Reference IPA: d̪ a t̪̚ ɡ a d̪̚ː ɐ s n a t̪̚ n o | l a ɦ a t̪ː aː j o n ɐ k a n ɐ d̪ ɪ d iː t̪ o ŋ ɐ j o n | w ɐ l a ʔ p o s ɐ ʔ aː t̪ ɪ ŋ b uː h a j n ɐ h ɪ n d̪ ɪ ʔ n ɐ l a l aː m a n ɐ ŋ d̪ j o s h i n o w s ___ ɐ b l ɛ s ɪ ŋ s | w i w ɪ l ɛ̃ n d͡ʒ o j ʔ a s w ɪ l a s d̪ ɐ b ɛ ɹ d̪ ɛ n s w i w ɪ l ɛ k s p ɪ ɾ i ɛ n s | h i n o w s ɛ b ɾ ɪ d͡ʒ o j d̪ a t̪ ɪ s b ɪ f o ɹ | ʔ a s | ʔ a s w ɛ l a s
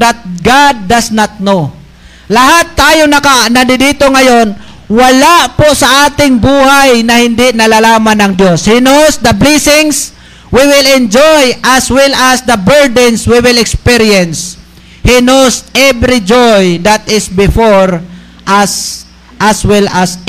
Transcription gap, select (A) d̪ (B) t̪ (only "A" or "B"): A